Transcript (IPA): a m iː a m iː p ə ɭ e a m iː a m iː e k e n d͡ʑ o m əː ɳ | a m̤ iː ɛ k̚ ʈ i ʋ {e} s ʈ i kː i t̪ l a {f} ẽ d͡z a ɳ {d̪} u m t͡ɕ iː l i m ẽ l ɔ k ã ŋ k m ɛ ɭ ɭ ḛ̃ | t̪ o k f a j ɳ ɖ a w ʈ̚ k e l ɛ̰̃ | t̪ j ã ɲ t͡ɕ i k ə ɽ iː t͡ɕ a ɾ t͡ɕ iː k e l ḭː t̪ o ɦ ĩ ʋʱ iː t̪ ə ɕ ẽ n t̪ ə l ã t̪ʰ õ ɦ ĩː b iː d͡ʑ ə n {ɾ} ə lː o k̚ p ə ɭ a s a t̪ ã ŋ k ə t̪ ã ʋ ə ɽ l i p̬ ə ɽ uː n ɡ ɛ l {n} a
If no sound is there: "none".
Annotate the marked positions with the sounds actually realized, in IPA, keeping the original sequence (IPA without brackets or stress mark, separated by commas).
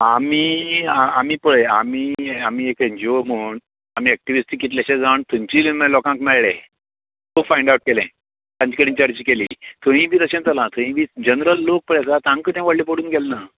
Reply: i, ɕ, t̪, ɾ, n